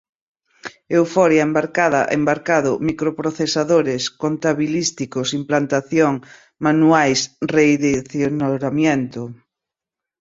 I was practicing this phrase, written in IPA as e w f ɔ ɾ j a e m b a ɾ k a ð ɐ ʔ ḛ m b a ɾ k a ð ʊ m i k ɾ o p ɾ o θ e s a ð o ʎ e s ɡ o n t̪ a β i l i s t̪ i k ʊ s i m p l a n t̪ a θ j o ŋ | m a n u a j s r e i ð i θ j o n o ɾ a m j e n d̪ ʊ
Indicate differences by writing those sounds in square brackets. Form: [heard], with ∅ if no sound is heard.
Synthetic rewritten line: e w f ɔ ɾ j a e m b a ɾ k a ð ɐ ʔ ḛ m b a ɾ k a ð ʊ m i k ɾ o p ɾ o θ e s a ð o [ɾ] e s [k] o n t̪ a β i l i s t̪ i k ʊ s i m p l a n t̪ a θ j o ŋ | m a n u a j s r e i ð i θ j o n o ɾ a m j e n [t̪] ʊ